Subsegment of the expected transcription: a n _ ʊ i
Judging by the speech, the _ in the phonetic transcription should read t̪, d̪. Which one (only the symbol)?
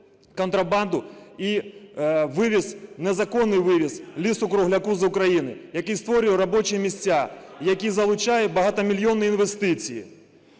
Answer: d̪